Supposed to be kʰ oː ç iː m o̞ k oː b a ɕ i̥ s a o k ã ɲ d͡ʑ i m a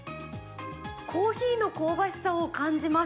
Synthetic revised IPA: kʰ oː ç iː n o̞ k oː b a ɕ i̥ s a o k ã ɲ d͡ʑ i m a